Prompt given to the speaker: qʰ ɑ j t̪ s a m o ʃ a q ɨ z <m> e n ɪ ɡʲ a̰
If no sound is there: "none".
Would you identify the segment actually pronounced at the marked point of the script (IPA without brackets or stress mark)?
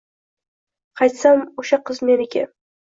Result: m